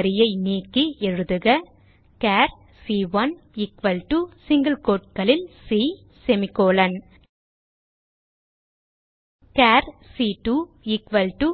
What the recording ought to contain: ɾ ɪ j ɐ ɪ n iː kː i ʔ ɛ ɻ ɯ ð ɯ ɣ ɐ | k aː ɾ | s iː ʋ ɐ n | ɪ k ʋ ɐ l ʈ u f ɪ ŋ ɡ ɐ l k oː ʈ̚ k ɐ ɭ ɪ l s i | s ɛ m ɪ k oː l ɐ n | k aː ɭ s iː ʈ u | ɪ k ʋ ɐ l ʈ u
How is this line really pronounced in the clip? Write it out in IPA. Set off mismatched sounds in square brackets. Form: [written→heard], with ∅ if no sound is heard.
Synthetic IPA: ɾ ɪ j ɐ ɪ n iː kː i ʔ ɛ ɻ ɯ ð ɯ ɣ ɐ | k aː ɾ | s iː ʋ ɐ n | ɪ k ʋ ɐ l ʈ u [f→s] ɪ ŋ ɡ ɐ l k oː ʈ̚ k ɐ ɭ ɪ l s i | s ɛ m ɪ k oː l ɐ n | k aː [ɭ→ɾ] s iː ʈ u | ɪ k ʋ ɐ l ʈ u